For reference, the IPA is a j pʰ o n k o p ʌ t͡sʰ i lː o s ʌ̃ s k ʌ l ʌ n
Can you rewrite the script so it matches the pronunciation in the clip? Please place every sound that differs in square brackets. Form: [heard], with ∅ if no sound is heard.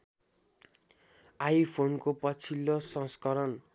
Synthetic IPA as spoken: a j pʰ o n k o p ʌ t͡sʰ i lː o s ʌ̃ s k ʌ [ɾ] ʌ n